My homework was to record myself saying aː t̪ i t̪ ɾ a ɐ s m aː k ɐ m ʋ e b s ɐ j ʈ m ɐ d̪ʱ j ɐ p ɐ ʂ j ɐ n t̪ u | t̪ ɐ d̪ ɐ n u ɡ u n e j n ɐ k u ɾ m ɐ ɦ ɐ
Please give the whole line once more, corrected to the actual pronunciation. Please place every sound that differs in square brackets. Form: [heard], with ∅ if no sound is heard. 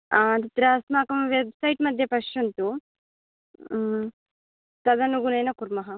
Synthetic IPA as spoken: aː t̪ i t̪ ɾ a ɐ s m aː k ɐ m ʋ e b s ɐ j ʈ m ɐ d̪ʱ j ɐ p ɐ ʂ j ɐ n t̪ u | t̪ ɐ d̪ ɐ n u ɡ u n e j n ɐ k u ɾ m ɐ ɦ ɐ